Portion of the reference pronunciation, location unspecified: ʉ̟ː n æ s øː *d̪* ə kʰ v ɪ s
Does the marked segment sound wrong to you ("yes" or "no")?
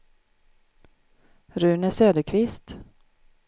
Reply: no